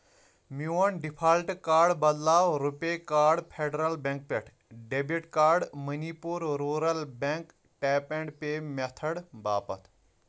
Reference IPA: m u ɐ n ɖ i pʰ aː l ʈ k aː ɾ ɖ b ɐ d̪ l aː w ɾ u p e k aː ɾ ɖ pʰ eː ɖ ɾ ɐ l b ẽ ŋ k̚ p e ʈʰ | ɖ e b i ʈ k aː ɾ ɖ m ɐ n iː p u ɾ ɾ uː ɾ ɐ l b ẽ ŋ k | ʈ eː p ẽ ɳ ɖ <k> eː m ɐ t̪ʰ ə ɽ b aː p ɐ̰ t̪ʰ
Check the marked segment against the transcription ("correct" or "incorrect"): incorrect